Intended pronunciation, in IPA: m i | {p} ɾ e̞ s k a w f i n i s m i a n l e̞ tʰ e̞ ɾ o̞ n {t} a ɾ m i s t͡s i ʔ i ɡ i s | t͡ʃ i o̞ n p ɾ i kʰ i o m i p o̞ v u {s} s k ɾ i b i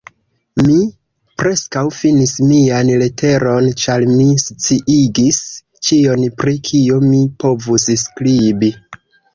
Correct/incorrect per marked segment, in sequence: correct, incorrect: t͡ʃ, correct

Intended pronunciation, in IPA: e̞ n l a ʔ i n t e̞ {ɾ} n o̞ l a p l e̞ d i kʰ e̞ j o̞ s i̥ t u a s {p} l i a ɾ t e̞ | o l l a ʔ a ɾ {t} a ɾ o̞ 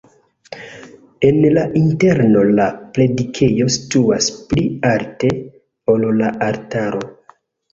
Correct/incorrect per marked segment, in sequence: correct, correct, correct

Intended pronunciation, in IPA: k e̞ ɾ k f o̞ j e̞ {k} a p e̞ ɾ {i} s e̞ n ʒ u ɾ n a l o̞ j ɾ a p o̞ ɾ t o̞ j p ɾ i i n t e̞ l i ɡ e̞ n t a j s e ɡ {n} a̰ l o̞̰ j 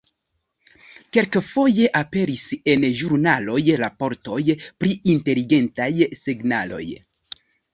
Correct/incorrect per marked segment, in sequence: incorrect: ʔ, correct, correct

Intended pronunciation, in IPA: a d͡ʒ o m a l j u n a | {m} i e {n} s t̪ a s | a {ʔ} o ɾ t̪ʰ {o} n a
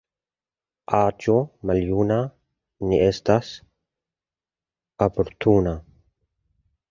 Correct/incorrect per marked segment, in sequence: incorrect: n, incorrect: none, incorrect: p, incorrect: u

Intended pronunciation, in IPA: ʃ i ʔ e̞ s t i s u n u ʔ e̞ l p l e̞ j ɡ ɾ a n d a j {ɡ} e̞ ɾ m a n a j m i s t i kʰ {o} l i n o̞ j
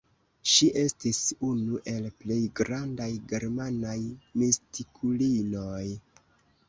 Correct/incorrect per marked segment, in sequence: correct, incorrect: u

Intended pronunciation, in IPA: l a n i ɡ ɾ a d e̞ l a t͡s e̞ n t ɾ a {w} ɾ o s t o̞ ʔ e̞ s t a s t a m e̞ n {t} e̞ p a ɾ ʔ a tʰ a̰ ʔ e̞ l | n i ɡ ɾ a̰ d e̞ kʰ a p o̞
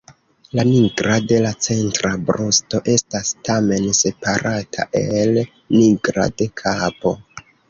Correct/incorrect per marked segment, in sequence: incorrect: b, incorrect: s

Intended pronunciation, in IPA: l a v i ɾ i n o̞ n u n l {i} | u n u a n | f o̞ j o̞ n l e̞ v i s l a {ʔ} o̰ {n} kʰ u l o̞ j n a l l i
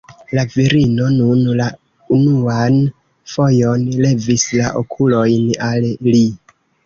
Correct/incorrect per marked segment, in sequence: incorrect: a, correct, incorrect: none

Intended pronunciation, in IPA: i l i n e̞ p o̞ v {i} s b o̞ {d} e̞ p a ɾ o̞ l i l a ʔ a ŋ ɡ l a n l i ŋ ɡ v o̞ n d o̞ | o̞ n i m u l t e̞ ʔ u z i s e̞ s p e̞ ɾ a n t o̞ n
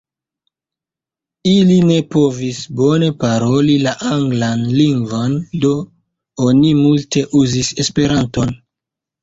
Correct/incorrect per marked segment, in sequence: correct, incorrect: n

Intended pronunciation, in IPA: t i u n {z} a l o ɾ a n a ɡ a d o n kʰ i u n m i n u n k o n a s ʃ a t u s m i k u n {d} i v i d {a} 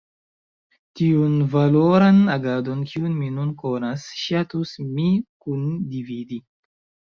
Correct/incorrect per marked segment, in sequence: incorrect: v, correct, incorrect: i

